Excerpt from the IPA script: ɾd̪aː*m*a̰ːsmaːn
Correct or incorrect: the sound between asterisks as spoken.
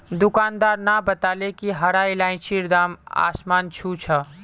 correct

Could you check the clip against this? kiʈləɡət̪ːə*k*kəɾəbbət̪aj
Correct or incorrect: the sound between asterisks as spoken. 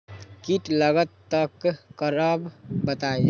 correct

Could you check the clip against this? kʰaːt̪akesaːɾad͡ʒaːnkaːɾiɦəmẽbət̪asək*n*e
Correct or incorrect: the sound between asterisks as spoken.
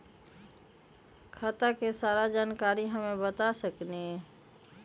correct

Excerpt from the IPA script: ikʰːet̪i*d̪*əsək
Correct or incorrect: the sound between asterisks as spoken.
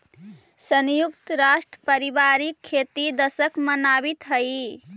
correct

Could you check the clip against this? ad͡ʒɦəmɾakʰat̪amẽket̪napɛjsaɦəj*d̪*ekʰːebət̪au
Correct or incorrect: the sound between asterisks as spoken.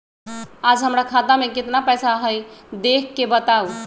correct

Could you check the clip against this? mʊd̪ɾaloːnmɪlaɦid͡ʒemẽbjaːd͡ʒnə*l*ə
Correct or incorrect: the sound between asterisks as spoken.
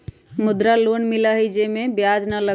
correct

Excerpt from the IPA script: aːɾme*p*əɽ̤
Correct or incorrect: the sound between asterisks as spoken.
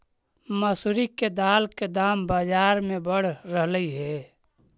incorrect: b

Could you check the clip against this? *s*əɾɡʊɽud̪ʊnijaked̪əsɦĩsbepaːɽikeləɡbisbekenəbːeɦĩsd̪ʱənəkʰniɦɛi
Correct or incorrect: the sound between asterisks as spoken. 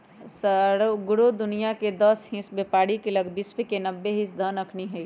correct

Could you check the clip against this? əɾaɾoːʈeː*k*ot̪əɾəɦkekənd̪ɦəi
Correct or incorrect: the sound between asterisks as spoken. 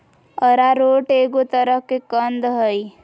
incorrect: ɡ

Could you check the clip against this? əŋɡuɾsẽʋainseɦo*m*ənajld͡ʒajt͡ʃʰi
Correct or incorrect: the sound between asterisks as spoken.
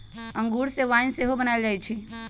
incorrect: b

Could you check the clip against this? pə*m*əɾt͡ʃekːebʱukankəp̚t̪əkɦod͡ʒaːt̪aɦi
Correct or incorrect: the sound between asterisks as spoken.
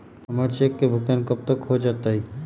correct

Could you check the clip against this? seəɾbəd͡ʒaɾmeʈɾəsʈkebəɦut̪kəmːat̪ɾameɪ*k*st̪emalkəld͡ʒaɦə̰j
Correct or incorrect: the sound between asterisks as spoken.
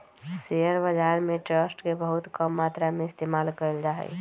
incorrect: none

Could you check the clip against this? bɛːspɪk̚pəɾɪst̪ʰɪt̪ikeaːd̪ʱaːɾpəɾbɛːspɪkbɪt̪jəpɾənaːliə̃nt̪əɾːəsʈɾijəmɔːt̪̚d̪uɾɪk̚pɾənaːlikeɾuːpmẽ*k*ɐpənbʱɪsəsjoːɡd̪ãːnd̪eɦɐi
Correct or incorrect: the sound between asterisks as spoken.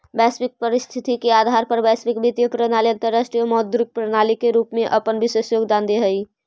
incorrect: ʔ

